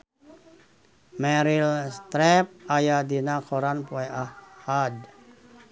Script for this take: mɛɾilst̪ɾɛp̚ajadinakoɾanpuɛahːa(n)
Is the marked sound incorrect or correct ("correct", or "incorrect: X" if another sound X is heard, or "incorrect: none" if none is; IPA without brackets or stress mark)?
incorrect: d